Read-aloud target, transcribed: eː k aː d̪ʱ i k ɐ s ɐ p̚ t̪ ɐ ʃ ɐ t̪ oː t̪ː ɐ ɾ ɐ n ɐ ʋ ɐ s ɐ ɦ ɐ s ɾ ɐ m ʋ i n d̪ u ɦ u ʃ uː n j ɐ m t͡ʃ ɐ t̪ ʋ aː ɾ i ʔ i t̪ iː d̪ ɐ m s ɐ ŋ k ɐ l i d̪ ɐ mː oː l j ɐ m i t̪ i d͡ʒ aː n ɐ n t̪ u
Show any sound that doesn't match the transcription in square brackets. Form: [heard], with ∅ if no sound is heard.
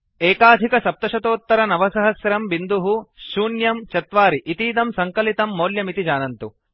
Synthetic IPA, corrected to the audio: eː k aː d̪ʱ i k ɐ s ɐ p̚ t̪ ɐ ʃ ɐ t̪ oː t̪ː ɐ ɾ ɐ n ɐ ʋ ɐ s ɐ ɦ ɐ s ɾ ɐ m ʋ i n d̪ u ɦ u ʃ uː n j ɐ m t͡ʃ ɐ t̪ ʋ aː ɾ i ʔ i t̪ iː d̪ ɐ m s ɐ ŋ k ɐ l i [t̪] ɐ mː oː l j ɐ m i t̪ i d͡ʒ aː n ɐ n t̪ u